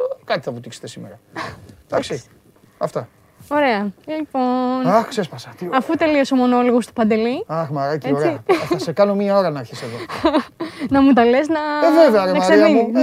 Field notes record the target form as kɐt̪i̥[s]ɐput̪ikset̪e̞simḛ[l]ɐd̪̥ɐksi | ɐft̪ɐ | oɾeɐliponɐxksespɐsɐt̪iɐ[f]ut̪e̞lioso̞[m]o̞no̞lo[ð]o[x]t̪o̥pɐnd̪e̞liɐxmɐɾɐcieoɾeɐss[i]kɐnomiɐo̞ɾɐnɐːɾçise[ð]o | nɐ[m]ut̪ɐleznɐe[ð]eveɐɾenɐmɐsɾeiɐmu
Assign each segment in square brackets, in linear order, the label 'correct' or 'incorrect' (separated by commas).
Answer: incorrect, incorrect, correct, correct, incorrect, incorrect, incorrect, correct, correct, incorrect